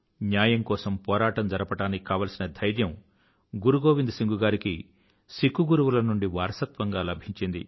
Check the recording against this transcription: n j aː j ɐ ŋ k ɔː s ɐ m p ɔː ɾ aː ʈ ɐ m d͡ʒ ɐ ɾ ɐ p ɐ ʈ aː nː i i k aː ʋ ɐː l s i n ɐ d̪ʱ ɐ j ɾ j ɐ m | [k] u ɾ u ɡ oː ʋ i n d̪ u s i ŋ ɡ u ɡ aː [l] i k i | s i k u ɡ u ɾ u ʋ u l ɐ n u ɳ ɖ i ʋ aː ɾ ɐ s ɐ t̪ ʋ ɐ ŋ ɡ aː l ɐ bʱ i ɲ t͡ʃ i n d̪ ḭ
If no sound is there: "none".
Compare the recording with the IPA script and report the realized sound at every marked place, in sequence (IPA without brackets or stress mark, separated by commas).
ɡ, ɾ